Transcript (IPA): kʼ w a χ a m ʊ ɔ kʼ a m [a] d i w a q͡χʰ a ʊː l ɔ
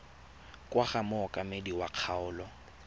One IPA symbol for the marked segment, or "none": e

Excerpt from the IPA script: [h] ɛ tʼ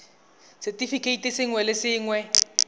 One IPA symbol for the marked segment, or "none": s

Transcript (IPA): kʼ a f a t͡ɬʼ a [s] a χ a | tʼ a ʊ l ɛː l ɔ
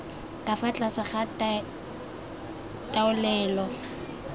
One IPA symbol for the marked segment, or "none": s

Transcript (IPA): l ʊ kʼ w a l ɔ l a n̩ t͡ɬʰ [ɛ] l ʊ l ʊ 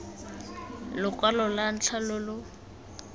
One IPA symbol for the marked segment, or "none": a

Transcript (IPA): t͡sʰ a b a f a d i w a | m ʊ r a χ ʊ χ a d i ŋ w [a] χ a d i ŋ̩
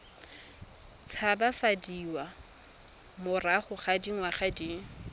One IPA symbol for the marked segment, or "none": a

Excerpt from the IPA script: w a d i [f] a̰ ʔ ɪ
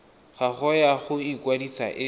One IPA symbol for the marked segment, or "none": s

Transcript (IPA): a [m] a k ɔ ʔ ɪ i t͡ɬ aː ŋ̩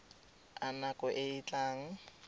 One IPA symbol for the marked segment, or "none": n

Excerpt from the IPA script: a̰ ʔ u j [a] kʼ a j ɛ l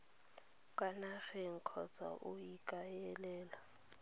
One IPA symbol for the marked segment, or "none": i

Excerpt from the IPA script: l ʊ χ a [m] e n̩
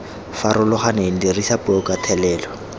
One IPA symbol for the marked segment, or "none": n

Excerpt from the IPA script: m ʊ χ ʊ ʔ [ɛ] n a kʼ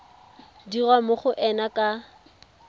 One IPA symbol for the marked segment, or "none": ɛ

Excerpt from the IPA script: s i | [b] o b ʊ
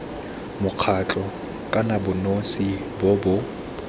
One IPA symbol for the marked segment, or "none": b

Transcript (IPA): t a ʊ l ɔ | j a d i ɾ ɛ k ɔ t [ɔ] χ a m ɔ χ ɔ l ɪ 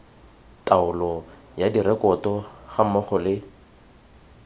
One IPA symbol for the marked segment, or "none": ɔ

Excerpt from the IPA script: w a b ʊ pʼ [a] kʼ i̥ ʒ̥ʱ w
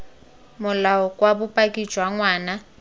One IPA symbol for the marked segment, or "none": a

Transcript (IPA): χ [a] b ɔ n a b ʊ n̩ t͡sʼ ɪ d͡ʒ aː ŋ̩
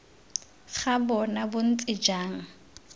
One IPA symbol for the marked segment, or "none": a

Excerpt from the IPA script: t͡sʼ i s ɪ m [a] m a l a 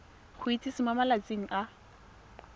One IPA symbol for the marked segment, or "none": a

